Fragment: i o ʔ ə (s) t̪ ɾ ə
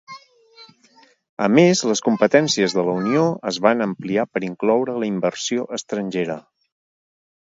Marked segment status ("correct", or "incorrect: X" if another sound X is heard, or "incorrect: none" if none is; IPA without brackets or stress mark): correct